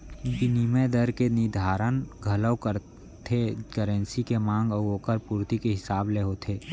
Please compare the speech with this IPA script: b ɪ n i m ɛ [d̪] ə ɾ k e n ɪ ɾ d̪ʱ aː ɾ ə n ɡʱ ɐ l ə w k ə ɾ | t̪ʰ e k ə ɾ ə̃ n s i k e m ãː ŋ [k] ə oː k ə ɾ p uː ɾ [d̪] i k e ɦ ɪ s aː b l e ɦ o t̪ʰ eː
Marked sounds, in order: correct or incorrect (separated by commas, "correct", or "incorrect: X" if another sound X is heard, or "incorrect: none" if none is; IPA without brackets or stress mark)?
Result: correct, incorrect: ɡ, incorrect: t̪